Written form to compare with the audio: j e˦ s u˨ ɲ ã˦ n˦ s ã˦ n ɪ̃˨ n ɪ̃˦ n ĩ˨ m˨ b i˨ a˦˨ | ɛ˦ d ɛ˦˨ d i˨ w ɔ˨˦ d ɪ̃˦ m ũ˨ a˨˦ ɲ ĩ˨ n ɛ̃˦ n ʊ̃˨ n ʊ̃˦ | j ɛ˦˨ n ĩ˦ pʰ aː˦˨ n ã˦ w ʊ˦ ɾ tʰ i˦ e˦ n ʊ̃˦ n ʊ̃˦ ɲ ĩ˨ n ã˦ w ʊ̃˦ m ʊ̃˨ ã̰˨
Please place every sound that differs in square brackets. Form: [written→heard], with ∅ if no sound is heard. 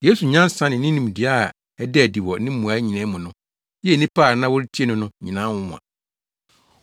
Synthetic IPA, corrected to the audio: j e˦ s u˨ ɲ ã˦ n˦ s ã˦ n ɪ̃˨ n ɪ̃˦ n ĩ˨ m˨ [b→d] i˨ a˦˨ | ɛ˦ d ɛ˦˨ d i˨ w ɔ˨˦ [d→n] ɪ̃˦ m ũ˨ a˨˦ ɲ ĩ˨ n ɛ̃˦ [n→m] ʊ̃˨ n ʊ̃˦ | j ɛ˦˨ n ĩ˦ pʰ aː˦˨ n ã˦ w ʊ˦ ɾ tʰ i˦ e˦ n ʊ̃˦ n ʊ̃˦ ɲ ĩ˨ n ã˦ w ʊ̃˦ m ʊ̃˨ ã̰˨